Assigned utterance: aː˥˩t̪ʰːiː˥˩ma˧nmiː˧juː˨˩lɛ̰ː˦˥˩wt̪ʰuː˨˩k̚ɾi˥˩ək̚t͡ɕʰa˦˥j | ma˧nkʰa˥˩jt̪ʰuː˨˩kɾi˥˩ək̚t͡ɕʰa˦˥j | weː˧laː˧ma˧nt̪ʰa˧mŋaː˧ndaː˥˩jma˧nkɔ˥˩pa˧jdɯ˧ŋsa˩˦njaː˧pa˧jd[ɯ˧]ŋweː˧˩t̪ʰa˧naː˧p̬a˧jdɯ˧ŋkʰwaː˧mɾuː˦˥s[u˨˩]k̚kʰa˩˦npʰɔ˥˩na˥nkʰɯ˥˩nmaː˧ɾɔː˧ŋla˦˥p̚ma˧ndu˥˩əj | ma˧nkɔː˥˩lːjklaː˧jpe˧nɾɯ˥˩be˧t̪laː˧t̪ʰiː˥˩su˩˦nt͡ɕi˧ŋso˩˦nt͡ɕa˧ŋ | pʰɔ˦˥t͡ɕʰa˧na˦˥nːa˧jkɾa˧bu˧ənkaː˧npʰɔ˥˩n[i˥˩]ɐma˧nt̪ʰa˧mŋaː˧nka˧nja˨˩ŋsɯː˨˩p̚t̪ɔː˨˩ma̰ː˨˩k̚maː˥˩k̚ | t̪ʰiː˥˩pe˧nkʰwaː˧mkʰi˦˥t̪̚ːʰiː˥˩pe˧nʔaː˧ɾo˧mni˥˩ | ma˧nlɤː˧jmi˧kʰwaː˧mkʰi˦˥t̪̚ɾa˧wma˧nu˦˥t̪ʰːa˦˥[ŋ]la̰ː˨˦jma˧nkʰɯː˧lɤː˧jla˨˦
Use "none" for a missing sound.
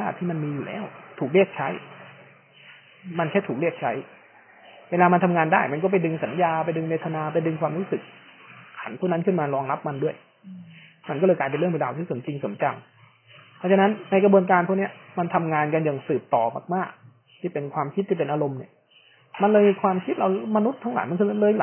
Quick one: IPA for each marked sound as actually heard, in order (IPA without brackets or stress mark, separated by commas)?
ɯ˧, ɯ˨˩, i˦˥, ŋ